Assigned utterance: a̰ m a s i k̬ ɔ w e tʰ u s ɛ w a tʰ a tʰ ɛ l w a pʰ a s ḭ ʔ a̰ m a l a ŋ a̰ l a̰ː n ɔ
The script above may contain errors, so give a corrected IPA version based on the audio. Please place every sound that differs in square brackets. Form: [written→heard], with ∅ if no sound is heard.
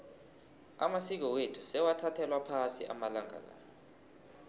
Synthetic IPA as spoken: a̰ m a s i k̬ ɔ w e tʰ u s ɛ w a tʰ a tʰ ɛ l w a pʰ a s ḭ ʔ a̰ m a l a ŋ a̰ l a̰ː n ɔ

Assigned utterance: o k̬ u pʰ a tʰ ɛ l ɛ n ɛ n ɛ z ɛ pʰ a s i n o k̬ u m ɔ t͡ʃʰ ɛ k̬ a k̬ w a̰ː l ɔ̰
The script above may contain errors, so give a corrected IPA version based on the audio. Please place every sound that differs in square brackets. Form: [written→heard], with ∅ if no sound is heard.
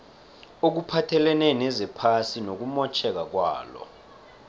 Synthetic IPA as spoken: o k̬ u pʰ a tʰ ɛ l ɛ n ɛ n ɛ z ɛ pʰ a s i n o k̬ u m ɔ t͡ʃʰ ɛ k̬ a k̬ w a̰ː l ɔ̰

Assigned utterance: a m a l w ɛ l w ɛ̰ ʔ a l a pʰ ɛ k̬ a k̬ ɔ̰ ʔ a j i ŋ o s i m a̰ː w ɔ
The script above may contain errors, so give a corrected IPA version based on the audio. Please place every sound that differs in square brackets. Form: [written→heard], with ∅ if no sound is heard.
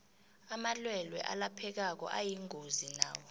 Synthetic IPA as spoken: a m a l w ɛ l w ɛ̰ ʔ a l a pʰ ɛ k̬ a k̬ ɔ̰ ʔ a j i ŋ o [s→z] i [m→n] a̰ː w ɔ

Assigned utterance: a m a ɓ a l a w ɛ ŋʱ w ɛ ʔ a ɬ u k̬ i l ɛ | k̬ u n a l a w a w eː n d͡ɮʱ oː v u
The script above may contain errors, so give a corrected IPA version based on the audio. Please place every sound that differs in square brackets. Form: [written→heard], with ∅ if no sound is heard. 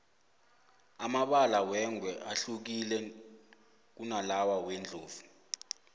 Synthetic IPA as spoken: a m a ɓ a l a w ɛ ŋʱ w ɛ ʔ a ɬ u k̬ i l ɛ | k̬ u n a l a w a w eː n d͡ɮʱ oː v u

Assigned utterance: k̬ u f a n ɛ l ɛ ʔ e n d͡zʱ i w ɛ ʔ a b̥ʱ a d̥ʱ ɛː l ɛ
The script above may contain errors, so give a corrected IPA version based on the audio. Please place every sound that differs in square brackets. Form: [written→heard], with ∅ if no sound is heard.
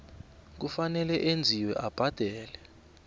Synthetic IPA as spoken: k̬ u f a n ɛ l ɛ ʔ e n d͡zʱ i w ɛ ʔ a b̥ʱ a d̥ʱ ɛː l ɛ

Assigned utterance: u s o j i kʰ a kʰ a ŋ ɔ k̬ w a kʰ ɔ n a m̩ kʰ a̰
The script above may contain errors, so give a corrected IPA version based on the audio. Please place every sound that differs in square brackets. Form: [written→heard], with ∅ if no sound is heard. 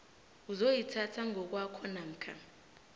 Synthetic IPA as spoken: u [s→z] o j i [kʰ→tʰ] a [kʰ→tʰ] a ŋ ɔ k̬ w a kʰ ɔ n a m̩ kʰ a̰

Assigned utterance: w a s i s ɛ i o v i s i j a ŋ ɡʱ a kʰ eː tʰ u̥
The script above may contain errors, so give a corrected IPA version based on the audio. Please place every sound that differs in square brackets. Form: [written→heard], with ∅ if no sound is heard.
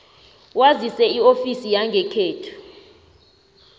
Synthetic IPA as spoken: w a [s→z] i s ɛ i o [v→f] i s i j a ŋ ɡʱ [a→ɛ] kʰ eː tʰ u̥

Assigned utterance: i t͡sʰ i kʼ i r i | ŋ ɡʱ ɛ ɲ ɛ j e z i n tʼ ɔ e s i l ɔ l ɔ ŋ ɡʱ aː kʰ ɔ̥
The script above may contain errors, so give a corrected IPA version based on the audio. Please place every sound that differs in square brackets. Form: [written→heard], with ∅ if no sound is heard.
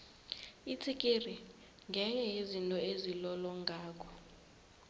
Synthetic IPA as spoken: i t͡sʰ i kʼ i r i | ŋ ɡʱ ɛ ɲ ɛ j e z i n tʼ ɔ e [s→z] i l ɔ l ɔ ŋ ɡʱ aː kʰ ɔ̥

